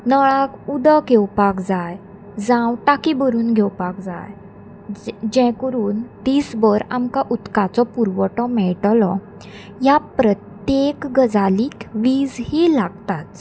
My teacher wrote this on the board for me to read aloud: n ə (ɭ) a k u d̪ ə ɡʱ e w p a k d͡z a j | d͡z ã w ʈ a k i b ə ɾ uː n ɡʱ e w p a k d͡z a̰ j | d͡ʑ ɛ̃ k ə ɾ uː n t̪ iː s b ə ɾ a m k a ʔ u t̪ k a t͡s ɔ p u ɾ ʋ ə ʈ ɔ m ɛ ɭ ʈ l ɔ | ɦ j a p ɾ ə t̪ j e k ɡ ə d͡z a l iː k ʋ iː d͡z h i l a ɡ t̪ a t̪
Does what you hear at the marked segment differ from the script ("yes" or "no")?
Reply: no